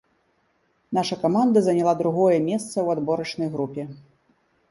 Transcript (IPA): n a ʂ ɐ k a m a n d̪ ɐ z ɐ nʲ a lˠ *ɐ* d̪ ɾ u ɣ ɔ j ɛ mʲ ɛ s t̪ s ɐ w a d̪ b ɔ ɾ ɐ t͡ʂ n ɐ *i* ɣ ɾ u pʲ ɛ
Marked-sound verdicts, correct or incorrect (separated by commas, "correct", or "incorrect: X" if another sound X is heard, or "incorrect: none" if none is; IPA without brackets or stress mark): incorrect: a, incorrect: j